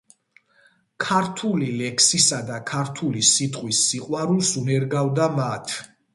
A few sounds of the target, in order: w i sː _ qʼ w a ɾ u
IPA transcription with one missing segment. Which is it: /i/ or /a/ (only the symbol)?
i